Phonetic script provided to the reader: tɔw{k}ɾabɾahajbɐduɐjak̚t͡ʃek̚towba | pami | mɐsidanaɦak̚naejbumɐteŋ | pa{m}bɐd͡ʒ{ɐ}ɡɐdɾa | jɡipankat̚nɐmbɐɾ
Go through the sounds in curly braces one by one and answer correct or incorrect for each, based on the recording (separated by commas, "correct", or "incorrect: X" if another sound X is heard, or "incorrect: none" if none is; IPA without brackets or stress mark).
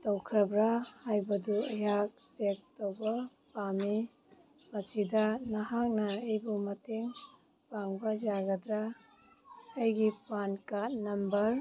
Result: incorrect: kʰ, incorrect: ŋ, incorrect: a